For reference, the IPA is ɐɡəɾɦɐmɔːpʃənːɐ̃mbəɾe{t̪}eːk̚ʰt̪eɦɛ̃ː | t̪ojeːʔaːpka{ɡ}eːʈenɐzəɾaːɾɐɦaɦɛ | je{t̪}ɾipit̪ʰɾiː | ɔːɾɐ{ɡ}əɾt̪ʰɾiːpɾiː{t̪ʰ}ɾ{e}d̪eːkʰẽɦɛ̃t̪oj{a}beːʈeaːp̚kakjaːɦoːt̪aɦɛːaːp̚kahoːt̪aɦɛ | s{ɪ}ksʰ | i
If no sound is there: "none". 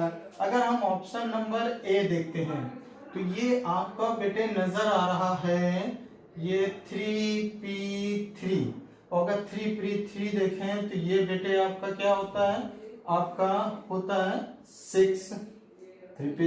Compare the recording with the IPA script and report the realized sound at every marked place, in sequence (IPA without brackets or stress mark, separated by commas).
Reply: d̪, b, t̪ʰ, ɡ, t̪ʰ, i, e, ɪ